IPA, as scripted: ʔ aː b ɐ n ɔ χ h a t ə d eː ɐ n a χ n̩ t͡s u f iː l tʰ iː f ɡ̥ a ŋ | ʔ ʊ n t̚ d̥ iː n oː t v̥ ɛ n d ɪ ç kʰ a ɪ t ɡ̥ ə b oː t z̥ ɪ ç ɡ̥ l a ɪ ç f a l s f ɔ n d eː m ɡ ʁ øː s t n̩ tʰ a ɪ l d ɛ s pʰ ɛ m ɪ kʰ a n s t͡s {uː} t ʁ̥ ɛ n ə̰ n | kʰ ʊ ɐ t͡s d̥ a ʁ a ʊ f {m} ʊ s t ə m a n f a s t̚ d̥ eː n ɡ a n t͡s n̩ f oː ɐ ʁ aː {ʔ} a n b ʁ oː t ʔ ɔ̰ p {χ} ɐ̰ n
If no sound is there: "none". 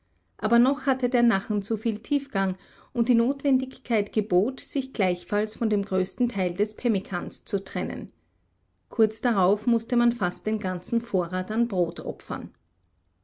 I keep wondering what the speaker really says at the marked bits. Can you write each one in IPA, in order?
u, m, t, f

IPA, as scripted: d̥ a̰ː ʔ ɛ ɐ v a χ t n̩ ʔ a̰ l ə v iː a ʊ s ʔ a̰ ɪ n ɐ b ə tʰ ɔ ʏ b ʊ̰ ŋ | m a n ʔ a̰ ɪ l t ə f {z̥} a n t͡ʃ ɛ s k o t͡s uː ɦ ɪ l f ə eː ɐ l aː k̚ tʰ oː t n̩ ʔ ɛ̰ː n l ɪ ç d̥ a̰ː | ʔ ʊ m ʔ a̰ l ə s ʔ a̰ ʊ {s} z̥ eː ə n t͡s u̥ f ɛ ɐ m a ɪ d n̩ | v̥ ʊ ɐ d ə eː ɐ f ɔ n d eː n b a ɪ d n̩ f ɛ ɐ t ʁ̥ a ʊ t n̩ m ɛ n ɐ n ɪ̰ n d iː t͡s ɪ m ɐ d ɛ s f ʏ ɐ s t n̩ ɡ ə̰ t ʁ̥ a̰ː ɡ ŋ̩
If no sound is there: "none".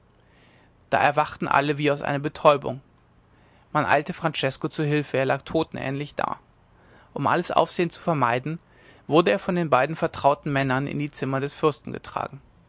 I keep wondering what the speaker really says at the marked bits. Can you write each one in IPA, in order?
ʁ̥, f

